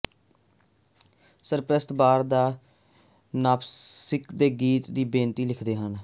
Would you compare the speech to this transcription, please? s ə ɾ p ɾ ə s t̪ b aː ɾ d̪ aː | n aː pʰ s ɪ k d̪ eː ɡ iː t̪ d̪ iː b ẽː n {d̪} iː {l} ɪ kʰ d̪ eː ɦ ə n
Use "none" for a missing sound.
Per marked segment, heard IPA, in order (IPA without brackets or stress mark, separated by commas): t̪, l